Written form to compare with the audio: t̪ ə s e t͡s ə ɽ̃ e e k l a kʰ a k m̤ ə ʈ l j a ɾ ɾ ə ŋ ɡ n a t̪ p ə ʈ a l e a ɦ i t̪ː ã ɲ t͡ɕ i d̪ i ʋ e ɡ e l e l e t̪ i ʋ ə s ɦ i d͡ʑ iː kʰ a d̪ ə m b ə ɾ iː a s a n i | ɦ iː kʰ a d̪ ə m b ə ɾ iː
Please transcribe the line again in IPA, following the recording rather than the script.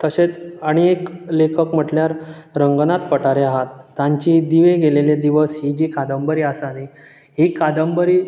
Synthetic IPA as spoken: t̪ ə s e t͡s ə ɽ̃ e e k l e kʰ ə k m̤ ə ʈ l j a ɾ ɾ ə ŋ ɡ n a t̪ p ə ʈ a ɾ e a ɦ a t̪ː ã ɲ t͡ɕ i d̪ i ʋ e ɡ e l e l e d̪ i ʋ ə s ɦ i d͡ʑ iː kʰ a d̪ ə m b ə ɾ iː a s a n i | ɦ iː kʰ a d̪ ə m b ə ɾ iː